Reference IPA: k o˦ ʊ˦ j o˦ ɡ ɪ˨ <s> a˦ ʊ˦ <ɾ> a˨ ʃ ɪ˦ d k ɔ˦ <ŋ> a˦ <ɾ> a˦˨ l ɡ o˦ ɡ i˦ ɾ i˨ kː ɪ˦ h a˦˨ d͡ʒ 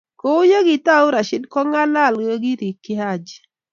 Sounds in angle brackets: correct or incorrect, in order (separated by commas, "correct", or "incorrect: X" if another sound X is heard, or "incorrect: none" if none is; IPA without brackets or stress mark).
incorrect: t, correct, correct, incorrect: l